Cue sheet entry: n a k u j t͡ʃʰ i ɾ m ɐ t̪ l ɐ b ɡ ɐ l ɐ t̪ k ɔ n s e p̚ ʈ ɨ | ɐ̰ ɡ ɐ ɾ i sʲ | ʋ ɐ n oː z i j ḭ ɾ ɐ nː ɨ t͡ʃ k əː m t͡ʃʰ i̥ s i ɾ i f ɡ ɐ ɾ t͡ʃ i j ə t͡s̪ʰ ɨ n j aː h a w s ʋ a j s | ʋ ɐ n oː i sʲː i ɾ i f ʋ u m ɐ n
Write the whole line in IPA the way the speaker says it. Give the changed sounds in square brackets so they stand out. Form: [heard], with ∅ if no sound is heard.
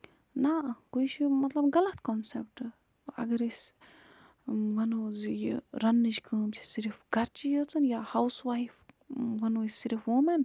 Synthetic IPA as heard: n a k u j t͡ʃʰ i [∅] m ɐ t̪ l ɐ b ɡ ɐ l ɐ t̪ k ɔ n s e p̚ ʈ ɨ | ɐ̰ ɡ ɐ ɾ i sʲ | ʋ ɐ n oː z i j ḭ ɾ ɐ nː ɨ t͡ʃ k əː m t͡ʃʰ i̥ s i ɾ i f ɡ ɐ ɾ t͡ʃ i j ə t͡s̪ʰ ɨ n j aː h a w s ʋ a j [f] | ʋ ɐ n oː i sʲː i ɾ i f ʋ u m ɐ n